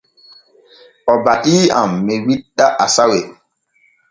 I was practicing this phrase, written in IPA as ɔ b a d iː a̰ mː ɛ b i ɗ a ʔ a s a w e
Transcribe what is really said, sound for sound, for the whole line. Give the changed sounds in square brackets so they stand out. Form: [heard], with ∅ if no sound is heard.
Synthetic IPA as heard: ɔ b a [t] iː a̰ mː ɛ [w] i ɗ a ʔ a s a w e

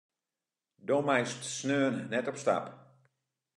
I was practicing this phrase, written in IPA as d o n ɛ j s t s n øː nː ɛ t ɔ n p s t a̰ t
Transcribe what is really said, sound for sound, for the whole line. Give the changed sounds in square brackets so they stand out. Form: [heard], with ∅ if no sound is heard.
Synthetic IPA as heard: d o [m] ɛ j s t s n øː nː ɛ t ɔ [∅] p s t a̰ [p]

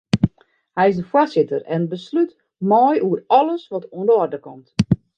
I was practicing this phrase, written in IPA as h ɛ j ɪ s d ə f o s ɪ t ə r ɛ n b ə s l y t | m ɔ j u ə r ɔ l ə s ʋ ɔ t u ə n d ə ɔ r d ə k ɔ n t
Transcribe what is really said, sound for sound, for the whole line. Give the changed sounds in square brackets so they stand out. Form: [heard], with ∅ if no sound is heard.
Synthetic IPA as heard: h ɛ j ɪ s d ə f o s ɪ t ə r ɛ n b ə s l y t | m ɔ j u ə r ɔ l ə s ʋ ɔ t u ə n d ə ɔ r d ə k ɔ [m] t

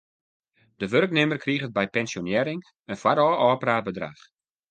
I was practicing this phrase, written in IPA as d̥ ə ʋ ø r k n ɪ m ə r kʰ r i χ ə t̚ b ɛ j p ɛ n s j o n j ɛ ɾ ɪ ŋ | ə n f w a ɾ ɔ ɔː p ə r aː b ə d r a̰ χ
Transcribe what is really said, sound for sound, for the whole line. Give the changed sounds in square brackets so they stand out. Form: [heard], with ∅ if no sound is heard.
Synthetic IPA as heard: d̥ ə ʋ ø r k n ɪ m ə r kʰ r i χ ə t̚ b ɛ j p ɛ n s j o n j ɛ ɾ ɪ ŋ | ə n f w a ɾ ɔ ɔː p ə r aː b ə d r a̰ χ

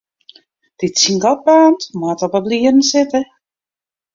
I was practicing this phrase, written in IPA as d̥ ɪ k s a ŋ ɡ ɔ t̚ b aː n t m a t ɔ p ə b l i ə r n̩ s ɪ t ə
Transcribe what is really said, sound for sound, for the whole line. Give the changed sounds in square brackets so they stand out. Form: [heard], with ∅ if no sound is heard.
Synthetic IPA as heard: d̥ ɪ [t] s [i] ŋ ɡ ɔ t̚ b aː n t m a t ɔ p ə b l i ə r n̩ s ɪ t ə

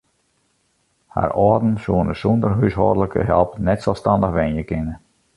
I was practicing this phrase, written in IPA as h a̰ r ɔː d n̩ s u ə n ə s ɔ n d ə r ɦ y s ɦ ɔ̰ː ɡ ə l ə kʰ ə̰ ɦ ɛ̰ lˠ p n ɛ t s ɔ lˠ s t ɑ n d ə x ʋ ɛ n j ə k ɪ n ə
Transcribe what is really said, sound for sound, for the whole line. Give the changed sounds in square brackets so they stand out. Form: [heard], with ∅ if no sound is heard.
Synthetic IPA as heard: h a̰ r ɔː d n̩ s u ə n ə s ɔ n d ə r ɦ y s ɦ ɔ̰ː [d] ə l ə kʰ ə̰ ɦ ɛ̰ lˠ p n ɛ t s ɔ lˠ s t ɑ n d ə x ʋ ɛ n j ə k ɪ n ə

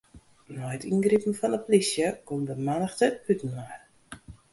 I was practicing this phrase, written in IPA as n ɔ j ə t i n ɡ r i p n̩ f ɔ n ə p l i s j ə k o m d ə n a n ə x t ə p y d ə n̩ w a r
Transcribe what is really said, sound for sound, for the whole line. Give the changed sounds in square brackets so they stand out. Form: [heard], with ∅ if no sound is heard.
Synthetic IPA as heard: n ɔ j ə t i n ɡ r i p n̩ f ɔ n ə p l i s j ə k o m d ə [m] a n ə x t ə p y [t] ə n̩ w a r

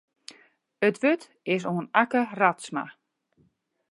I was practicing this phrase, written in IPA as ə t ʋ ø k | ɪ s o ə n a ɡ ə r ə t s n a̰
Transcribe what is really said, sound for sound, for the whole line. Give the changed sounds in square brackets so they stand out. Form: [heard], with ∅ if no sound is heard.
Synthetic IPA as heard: ə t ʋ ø [t] | ɪ s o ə n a [k] ə r [a] t s [m] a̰

